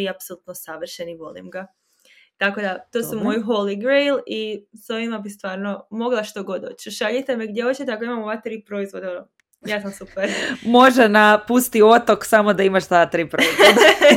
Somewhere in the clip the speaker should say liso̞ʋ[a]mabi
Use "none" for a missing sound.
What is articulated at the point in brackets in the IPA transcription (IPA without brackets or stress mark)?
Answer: i